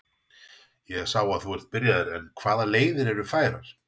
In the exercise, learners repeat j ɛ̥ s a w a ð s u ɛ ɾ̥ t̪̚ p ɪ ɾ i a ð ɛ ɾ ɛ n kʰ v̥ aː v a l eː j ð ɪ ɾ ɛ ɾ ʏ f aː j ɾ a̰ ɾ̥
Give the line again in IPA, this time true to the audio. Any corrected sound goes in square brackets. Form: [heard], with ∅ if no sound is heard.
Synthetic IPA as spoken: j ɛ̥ s a w a ð [θ] u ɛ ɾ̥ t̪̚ p ɪ ɾ [j] a ð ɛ ɾ ɛ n kʰ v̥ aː [ð] a l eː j ð ɪ ɾ ɛ ɾ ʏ f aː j ɾ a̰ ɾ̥

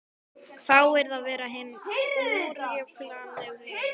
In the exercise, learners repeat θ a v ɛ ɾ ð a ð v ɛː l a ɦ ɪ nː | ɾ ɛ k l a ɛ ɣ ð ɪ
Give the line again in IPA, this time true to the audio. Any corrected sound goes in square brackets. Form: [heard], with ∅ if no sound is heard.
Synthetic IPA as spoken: θ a [w] ɛ ɾ ð a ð v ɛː [ɾ] a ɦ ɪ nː | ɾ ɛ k l a ɛ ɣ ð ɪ

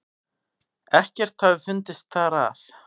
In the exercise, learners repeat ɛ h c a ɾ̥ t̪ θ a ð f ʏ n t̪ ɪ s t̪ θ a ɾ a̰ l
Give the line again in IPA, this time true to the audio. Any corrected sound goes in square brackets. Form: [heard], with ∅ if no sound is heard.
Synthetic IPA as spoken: ɛ h c [ɛ] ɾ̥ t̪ θ a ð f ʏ n t̪ ɪ s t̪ θ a ɾ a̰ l

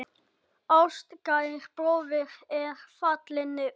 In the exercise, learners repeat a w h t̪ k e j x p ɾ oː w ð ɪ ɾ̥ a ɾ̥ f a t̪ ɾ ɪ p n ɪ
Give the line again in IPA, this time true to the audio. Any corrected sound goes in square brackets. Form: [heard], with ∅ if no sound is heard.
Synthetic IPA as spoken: a w [s] t̪ k [a] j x p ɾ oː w [v] ɪ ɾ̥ [ɛ] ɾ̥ f a t̪ [l] ɪ [∅] n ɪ

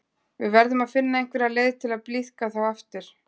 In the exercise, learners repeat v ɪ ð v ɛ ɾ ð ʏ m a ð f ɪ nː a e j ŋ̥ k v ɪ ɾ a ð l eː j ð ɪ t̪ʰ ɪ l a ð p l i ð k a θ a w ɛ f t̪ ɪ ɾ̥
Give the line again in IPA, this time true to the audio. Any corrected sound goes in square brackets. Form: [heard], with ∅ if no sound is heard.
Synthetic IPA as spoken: v ɪ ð v ɛ ɾ ð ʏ m a ð f ɪ nː a e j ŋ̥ k v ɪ ɾ a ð l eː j ð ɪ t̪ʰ ɪ l a ð p l i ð k a θ a w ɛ f t̪ ɪ ɾ̥

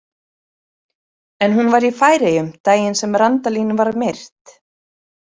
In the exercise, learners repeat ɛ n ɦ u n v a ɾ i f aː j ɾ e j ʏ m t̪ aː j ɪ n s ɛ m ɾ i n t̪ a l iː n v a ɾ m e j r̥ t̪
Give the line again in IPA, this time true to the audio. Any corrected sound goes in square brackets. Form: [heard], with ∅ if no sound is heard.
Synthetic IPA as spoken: ɛ n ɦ u n v a ɾ i f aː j ɾ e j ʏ m t̪ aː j ɪ n s ɛ m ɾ [a] n t̪ a l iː n v a ɾ m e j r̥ t̪

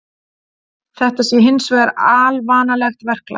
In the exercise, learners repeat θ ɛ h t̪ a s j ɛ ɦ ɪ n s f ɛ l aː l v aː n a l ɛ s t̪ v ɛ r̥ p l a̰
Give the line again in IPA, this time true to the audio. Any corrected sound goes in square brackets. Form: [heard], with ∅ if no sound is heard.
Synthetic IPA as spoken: θ ɛ h t̪ a s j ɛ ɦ ɪ n s [v] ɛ [ɾ] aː l v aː n a l ɛ [x] t̪ v ɛ r̥ [k] l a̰

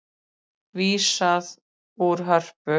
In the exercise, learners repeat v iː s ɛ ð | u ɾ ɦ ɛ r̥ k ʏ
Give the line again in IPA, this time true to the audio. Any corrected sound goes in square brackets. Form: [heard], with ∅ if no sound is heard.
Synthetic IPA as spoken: v iː s [a] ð | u ɾ ɦ [œ] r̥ [p] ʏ

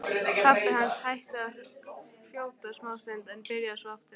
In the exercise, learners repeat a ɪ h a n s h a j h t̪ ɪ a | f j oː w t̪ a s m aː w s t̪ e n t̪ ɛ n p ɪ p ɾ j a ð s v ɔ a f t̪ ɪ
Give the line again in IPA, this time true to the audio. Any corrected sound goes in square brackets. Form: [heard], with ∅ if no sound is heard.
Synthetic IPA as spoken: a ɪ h a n s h a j h t̪ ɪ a | f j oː w t̪ a s m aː w s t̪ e n t̪ ɛ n p ɪ [∅] ɾ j a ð s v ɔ a f t̪ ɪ

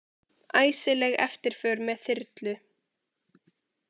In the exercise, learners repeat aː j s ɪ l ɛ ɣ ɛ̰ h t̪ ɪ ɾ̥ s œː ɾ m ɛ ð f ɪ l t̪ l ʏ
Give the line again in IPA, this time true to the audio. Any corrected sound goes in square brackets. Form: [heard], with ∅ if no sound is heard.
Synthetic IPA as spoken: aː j s ɪ l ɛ ɣ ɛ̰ [f] t̪ ɪ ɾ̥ [f] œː ɾ m ɛ ð [θ] ɪ [ɾ] t̪ l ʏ

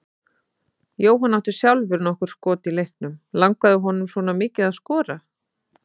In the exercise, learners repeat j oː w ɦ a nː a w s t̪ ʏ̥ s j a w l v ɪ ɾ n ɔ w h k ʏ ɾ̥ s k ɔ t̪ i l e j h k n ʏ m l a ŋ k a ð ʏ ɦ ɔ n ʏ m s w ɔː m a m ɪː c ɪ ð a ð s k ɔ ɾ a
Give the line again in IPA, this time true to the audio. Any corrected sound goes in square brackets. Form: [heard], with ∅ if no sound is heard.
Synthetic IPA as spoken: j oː w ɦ a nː a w [h] t̪ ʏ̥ s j a w l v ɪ ɾ n ɔ [∅] h k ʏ ɾ̥ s k [ɔː] t̪ i l e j h k n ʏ m l a ŋ k a ð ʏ ɦ ɔ n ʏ m s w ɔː [n] a m ɪː c ɪ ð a ð s k [ɔː] ɾ a

